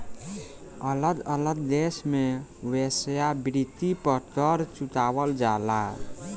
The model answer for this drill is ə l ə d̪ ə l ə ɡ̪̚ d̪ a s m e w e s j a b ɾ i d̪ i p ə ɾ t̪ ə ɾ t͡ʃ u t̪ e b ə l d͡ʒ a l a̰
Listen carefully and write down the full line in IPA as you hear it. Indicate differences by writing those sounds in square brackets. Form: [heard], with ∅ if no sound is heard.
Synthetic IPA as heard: ə l ə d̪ ə l ə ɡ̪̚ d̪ [e] s m e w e s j a b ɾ i [t̪] i p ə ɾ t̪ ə ɾ t͡ʃ u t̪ [a] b ə l d͡ʒ a l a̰